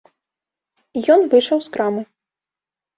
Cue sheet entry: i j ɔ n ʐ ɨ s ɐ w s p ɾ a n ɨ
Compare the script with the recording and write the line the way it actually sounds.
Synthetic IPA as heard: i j ɔ n v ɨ ʂ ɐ w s k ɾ a m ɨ